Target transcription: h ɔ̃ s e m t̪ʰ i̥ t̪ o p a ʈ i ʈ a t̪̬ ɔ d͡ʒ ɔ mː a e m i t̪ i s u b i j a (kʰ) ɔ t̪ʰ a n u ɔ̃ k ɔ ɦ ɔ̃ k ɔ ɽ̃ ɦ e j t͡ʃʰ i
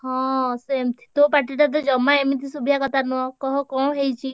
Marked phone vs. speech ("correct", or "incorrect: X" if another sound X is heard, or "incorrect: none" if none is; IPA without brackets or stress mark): incorrect: k